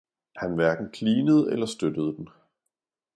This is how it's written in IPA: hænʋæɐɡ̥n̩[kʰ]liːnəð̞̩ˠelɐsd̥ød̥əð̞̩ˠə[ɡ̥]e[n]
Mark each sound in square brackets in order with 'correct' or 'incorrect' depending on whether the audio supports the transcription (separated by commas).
correct, incorrect, correct